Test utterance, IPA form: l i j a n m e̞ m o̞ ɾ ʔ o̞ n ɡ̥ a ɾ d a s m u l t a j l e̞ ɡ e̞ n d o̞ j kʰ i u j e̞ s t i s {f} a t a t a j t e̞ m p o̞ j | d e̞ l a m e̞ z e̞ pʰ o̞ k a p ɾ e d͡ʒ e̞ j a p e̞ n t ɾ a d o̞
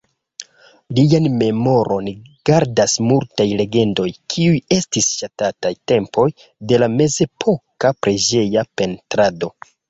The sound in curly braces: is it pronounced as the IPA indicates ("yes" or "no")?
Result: no